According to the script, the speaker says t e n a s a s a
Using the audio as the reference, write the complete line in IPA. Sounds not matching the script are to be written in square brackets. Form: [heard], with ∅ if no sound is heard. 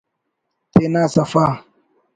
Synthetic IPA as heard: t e n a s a [f] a